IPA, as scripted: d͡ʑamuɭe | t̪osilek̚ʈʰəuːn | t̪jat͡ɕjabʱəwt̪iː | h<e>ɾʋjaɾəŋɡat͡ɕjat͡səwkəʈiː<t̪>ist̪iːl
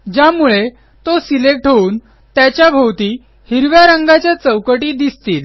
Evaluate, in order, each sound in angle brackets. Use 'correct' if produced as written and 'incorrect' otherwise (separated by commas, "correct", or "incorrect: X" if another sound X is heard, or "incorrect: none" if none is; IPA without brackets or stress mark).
incorrect: i, incorrect: d̪